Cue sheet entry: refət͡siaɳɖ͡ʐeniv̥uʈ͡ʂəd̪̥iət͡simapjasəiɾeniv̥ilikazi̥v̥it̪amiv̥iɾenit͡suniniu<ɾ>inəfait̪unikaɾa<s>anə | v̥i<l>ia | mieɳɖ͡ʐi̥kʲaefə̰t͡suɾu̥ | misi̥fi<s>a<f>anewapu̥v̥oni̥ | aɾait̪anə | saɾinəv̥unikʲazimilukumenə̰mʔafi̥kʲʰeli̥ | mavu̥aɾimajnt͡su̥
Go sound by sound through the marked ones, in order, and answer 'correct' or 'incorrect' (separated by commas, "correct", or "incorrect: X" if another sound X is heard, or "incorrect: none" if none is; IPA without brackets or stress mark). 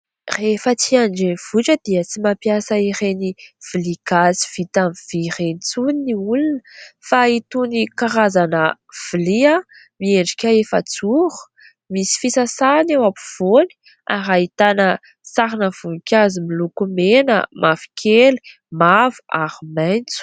incorrect: l, incorrect: z, correct, correct, incorrect: s